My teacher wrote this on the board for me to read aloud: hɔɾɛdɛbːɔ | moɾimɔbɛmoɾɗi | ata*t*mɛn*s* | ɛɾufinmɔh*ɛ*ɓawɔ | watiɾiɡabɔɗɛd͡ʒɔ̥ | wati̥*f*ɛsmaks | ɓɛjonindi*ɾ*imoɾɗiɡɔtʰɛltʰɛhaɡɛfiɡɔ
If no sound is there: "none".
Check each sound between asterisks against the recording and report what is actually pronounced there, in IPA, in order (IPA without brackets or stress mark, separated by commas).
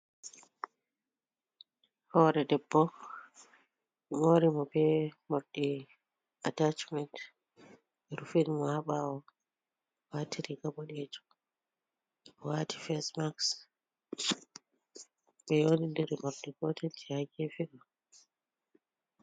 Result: t͡ʃ, t, a, f, ɾ